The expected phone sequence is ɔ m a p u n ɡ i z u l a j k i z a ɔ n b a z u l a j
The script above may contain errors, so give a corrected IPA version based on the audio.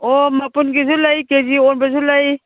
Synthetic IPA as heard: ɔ m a p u n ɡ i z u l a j k e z i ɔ n b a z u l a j